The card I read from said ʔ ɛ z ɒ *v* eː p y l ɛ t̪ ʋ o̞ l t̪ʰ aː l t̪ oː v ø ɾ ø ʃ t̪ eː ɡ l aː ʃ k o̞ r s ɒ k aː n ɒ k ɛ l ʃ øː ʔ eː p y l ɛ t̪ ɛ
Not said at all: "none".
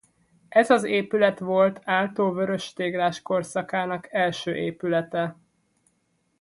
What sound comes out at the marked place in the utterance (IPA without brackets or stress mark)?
z